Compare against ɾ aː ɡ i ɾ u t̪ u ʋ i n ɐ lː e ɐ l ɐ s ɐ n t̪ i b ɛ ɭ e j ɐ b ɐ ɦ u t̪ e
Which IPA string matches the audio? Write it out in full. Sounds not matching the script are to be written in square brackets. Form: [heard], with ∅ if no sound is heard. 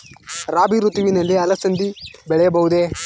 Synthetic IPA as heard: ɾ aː [b] i ɾ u t̪ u ʋ i n ɐ lː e ɐ l ɐ s ɐ n [d̪] i b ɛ ɭ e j ɐ b ɐ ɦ u [d̪] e